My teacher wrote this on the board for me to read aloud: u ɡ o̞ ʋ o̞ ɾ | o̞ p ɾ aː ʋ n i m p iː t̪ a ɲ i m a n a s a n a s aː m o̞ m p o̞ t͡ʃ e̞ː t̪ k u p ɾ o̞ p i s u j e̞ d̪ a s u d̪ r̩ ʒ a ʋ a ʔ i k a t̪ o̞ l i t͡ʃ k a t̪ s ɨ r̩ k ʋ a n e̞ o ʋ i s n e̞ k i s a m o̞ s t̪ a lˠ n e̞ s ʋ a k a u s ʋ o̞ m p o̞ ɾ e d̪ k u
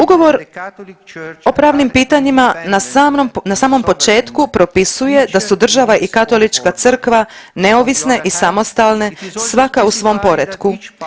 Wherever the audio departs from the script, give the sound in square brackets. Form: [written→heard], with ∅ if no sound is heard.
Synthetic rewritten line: u ɡ o̞ ʋ o̞ ɾ | o̞ p ɾ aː ʋ n i m p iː t̪ a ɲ i m a n a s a n a s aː m o̞ m p o̞ t͡ʃ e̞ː t̪ k u p ɾ o̞ p i s u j e̞ d̪ a s u d̪ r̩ ʒ a ʋ a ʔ i k a t̪ o̞ l i t͡ʃ k a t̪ s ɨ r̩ k ʋ a n e̞ o ʋ i s n e̞ [k→ʔ] i s a m o̞ s t̪ a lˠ n e̞ s ʋ a k a u s ʋ o̞ m p o̞ ɾ e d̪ k u

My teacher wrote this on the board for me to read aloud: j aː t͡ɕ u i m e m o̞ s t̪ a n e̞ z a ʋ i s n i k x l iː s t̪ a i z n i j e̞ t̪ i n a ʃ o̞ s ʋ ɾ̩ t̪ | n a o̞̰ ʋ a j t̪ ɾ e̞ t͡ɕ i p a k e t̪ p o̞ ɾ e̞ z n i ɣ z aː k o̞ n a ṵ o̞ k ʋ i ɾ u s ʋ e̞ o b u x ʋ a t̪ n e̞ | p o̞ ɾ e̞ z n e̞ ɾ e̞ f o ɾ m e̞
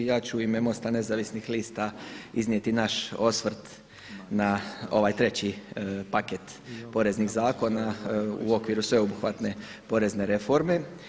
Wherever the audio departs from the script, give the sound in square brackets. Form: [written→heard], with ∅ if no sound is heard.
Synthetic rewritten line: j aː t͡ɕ u i m e m o̞ s t̪ a n e̞ z a ʋ i s n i [k→∅] x l iː s t̪ a i z n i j e̞ t̪ i n a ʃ o̞ s ʋ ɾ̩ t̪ | n a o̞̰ ʋ a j t̪ ɾ e̞ t͡ɕ i p a k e t̪ p o̞ ɾ e̞ z n i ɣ z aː k o̞ n a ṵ o̞ k ʋ i ɾ u s ʋ e̞ o b u x ʋ a t̪ n e̞ | p o̞ ɾ e̞ z n e̞ ɾ e̞ f o ɾ m e̞

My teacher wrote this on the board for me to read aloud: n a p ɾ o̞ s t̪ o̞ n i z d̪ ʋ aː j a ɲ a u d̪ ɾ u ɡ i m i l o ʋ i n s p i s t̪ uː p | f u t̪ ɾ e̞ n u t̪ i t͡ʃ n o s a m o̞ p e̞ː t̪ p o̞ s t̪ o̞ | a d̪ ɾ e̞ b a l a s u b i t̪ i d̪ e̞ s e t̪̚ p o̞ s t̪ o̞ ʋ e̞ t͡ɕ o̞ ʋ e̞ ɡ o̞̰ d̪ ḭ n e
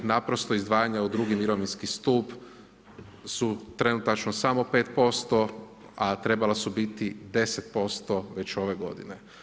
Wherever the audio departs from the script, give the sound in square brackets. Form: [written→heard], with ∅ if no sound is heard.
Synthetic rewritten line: n a p ɾ o̞ s t̪ o̞ [n→∅] i z d̪ ʋ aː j a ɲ a u d̪ ɾ u ɡ i m i [l→ɾ] o ʋ i n s [p→k] i s t̪ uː p | [f→s] u t̪ ɾ e̞ n u t̪ [i→a] t͡ʃ n o s a m o̞ p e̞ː t̪ p o̞ s t̪ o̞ | a [d̪→t̪] ɾ e̞ b a l a s u b i t̪ i d̪ e̞ s e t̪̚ p o̞ s t̪ o̞ ʋ e̞ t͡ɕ o̞ ʋ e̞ ɡ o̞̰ d̪ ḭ n e

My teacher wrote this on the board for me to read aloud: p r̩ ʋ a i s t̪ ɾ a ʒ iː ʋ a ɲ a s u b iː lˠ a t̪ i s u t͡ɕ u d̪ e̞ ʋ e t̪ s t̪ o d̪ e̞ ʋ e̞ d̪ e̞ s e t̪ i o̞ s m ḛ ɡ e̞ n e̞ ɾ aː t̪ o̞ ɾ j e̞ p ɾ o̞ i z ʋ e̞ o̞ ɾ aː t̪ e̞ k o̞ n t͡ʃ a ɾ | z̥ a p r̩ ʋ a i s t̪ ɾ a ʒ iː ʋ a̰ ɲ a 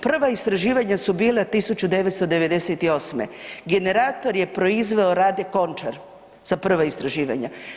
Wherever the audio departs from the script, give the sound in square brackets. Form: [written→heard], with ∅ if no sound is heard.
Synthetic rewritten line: p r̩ ʋ a i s t̪ ɾ a ʒ iː ʋ a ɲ a s u b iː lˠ a t̪ i s u t͡ɕ u d̪ e̞ ʋ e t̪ s t̪ o d̪ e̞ ʋ e̞ d̪ e̞ s e t̪ i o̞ s m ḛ ɡ e̞ n e̞ ɾ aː t̪ o̞ ɾ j e̞ p ɾ o̞ i z ʋ e̞ o̞ ɾ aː [t̪→d̪] e̞ k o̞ n t͡ʃ a ɾ | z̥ a p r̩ ʋ a i s t̪ ɾ a ʒ iː ʋ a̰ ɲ a

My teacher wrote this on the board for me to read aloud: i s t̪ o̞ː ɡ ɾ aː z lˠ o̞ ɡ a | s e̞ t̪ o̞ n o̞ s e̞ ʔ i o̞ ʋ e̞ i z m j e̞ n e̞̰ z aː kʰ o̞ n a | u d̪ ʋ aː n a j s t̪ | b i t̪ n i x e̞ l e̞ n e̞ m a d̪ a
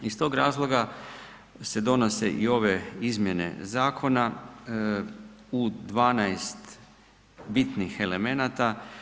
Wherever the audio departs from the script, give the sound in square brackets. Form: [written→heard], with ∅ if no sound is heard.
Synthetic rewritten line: i s t̪ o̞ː ɡ ɾ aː z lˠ o̞ ɡ a | s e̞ [t̪→d̪] o̞ n o̞ s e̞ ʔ i o̞ ʋ e̞ i z m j e̞ n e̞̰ z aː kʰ o̞ n a | u d̪ ʋ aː n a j s t̪ | b i t̪ n i x e̞ l e̞ [n→m] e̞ [m→n] a [d̪→t̪] a

